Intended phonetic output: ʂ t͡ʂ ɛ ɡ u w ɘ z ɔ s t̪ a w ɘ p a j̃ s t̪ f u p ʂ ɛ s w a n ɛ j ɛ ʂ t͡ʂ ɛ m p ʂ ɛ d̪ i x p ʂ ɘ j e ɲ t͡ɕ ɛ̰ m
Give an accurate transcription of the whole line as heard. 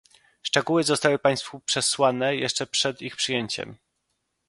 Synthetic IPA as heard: ʂ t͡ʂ ɛ ɡ u w ɘ z ɔ s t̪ a w ɘ p a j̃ s t̪ f u p ʂ ɛ s w a n ɛ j ɛ ʂ t͡ʂ ɛ p ʂ ɛ d̪ i x p ʂ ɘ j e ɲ t͡ɕ ɛ̰ m